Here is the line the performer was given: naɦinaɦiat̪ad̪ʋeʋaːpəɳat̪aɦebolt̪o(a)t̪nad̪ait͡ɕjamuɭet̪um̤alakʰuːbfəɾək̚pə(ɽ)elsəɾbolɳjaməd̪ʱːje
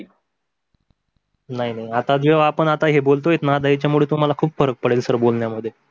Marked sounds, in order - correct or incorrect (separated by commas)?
incorrect, correct